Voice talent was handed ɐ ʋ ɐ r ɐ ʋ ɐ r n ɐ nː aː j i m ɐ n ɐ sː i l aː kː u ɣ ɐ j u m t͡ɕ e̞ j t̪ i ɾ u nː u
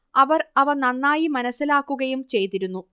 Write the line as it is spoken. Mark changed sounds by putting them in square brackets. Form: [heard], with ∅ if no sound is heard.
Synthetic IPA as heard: ɐ ʋ ɐ r ɐ ʋ ɐ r n ɐ nː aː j i m ɐ n ɐ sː i l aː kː u ɣ ɐ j u m t͡ɕ e̞ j t̪ i ɾ u nː u